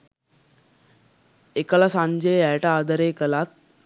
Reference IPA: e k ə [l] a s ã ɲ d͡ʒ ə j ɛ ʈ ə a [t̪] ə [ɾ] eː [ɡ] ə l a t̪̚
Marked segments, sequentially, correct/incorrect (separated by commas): correct, incorrect, correct, incorrect